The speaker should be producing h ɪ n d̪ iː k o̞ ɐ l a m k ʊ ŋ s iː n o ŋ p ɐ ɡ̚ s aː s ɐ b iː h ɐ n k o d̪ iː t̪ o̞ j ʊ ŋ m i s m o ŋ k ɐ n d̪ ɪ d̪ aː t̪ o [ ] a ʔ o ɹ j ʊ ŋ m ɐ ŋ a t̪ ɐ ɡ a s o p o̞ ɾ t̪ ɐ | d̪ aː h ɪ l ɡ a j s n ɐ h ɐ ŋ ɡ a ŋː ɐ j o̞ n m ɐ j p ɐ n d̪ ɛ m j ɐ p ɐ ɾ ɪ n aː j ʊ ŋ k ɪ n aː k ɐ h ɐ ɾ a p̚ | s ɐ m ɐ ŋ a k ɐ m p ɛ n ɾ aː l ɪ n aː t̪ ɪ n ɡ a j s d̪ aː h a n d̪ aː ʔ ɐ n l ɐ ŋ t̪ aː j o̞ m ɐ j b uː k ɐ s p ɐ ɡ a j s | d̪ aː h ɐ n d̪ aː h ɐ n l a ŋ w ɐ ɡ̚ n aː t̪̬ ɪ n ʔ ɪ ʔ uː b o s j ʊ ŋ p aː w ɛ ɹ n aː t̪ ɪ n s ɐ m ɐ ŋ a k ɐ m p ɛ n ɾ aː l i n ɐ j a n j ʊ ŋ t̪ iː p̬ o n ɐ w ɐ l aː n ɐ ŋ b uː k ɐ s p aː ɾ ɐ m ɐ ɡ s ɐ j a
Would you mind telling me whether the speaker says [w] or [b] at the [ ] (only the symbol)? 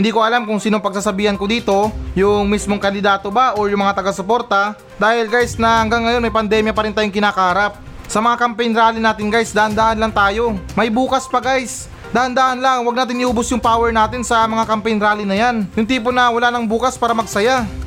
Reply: b